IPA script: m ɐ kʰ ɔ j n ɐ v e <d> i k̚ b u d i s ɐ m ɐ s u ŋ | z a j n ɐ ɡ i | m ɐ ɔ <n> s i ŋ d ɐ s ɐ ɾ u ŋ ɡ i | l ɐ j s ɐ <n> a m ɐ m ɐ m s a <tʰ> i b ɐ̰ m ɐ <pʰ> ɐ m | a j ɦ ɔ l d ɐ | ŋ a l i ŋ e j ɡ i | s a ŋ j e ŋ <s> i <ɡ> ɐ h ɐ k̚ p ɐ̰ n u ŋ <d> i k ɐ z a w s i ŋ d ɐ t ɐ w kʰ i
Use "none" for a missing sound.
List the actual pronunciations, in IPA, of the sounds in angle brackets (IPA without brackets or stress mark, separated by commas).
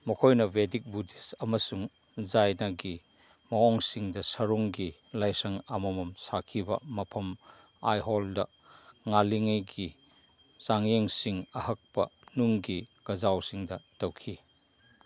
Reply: d, ŋ, ŋ, kʰ, pʰ, s, ŋ, ɡ